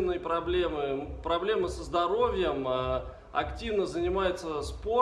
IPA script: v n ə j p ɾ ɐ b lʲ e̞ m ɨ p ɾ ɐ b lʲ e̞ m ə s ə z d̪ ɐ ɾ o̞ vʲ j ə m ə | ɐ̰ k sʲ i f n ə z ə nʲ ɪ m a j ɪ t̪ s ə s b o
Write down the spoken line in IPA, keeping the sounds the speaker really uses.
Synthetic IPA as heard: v n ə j p ɾ ɐ b lʲ e̞ m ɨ p ɾ ɐ b lʲ e̞ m ə s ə z d̪ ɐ ɾ o̞ vʲ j ə m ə | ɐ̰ k tʲ i v n ə z ə nʲ ɪ m a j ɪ t̪ s ə s p o